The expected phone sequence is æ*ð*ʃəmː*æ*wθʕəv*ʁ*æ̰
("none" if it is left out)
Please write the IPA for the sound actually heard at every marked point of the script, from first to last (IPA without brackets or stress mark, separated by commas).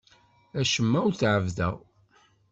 none, æ, ð